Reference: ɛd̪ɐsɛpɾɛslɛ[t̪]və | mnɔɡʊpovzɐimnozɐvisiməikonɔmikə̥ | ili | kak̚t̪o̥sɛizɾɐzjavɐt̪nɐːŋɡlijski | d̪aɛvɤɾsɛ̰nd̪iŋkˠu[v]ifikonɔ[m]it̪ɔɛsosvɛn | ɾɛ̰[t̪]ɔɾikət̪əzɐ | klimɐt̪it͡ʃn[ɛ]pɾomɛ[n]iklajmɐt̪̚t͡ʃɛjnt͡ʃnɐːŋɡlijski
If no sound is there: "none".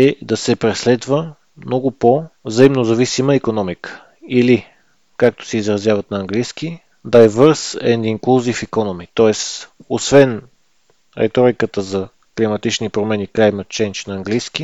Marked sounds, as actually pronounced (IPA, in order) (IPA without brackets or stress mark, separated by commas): d̪, z, m, t̪, i, n